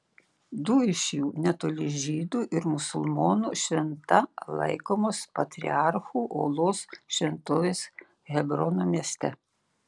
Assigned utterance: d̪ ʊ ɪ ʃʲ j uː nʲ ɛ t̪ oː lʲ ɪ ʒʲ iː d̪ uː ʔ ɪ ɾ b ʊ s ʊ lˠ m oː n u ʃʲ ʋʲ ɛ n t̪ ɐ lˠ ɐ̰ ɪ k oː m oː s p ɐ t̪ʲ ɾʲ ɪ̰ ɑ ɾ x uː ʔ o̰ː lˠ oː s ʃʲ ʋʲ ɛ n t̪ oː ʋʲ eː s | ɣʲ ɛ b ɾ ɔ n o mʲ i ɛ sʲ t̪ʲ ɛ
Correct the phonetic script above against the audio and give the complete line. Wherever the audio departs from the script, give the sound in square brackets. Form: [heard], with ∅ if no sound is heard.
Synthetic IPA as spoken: d̪ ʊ ɪ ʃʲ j uː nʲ ɛ t̪ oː lʲ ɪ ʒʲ iː d̪ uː ʔ ɪ ɾ [m] ʊ s ʊ lˠ m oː n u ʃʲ ʋʲ ɛ n t̪ ɐ lˠ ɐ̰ ɪ k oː m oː s p ɐ t̪ʲ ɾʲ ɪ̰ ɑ ɾ x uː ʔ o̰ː lˠ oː s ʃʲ ʋʲ ɛ n t̪ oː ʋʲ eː s | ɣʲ ɛ b ɾ ɔ n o mʲ i ɛ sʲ t̪ʲ ɛ